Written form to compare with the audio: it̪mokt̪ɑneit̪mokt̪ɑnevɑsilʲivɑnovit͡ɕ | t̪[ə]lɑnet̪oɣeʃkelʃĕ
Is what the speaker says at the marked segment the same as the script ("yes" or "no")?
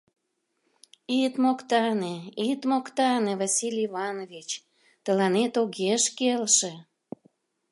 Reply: yes